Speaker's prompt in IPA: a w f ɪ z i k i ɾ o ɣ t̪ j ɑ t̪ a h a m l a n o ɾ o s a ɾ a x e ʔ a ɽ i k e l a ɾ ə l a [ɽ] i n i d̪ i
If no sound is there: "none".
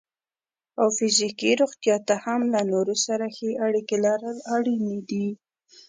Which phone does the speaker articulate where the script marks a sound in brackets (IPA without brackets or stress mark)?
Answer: ɽ